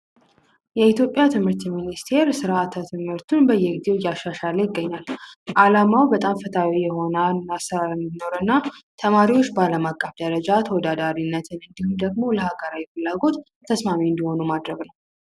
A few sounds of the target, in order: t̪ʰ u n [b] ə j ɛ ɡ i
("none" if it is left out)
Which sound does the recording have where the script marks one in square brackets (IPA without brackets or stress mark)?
b